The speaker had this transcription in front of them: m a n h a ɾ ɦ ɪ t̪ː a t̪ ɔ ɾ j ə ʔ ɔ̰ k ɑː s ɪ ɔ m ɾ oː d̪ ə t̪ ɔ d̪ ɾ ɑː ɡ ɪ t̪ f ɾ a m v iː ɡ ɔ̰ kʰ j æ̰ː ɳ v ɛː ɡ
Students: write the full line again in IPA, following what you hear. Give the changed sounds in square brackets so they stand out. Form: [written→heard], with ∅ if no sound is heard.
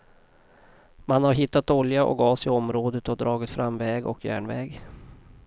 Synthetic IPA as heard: m a n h a ɾ ɦ ɪ t̪ː a t̪ ɔ [ɾ→l] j [ə→a] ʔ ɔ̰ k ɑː s ɪ ɔ m ɾ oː d̪ ə t̪ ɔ d̪ ɾ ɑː ɡ ɪ t̪ f ɾ a m v [iː→ɛː] ɡ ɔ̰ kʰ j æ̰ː ɳ v ɛː ɡ